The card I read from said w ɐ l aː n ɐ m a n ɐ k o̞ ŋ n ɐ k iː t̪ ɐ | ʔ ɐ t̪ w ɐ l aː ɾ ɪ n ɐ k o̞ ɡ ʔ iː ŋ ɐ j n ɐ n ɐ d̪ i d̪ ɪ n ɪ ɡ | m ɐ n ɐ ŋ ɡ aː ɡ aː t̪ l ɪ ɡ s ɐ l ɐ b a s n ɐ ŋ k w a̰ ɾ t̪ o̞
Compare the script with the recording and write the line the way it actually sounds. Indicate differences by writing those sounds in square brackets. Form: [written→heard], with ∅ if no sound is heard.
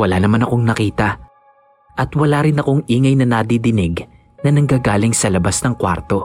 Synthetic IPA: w ɐ l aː n ɐ m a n ɐ k o̞ ŋ n ɐ k iː t̪ ɐ | ʔ ɐ t̪ w ɐ l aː ɾ ɪ n ɐ k o̞ [ɡ→ŋ] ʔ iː ŋ ɐ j n ɐ n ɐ d̪ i d̪ ɪ n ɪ ɡ | [m→n] ɐ n ɐ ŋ ɡ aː ɡ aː [t̪→∅] l ɪ [ɡ→ŋ] s ɐ l ɐ b a s n ɐ ŋ k w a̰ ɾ t̪ o̞